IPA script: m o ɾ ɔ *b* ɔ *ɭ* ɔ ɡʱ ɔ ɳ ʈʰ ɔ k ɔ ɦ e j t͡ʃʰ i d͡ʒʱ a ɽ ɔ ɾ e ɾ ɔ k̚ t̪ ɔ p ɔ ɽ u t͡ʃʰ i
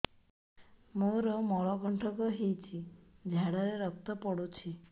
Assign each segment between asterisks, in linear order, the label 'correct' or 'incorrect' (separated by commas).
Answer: incorrect, correct